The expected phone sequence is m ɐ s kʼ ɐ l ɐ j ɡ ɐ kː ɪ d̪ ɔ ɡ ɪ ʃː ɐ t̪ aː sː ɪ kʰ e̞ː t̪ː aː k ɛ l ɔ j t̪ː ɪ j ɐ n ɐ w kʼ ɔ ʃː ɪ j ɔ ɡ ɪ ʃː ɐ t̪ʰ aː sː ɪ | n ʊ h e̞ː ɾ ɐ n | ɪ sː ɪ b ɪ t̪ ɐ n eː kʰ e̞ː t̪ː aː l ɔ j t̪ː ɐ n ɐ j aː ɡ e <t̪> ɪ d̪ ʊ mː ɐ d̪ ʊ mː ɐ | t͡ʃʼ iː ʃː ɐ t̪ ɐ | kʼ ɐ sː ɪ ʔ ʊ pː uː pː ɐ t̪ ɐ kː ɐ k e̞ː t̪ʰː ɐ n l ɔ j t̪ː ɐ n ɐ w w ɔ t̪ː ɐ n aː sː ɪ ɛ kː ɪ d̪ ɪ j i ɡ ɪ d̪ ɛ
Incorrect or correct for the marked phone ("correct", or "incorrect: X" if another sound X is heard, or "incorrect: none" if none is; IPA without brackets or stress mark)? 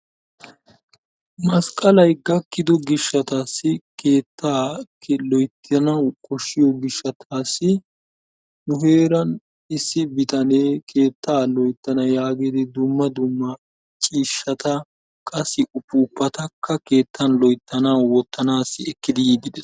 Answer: incorrect: d̪